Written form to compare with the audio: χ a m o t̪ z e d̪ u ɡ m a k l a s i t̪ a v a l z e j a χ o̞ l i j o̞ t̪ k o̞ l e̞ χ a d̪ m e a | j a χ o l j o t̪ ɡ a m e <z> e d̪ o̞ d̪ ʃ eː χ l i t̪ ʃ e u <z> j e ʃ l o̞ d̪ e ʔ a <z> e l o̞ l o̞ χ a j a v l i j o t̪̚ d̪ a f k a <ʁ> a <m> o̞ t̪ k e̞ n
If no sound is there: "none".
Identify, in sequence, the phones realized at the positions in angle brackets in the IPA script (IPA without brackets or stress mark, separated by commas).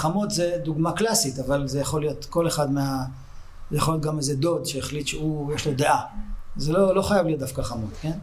z, none, z, χ, m